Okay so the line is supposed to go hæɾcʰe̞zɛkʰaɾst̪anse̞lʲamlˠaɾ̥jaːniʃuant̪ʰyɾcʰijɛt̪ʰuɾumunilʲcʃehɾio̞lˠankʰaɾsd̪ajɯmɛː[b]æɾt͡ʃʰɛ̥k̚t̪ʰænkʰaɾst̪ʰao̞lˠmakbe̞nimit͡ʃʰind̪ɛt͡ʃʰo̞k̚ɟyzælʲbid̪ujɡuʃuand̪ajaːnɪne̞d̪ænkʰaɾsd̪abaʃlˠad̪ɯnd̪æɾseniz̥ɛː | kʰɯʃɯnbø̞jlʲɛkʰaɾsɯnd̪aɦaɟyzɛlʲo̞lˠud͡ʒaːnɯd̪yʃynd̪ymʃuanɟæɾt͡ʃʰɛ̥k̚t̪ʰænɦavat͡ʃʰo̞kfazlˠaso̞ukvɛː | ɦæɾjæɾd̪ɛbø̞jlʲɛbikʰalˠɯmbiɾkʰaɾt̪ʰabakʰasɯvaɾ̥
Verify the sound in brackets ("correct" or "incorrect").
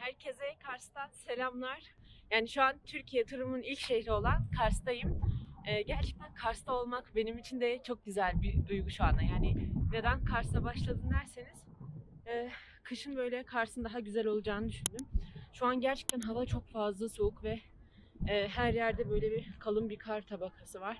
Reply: incorrect